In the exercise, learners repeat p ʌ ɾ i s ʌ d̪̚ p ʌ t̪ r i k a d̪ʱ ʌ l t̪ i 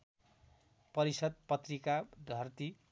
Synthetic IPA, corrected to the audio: p ʌ ɾ i s ʌ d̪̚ p ʌ t̪ r i k a d̪ʱ ʌ r t̪ i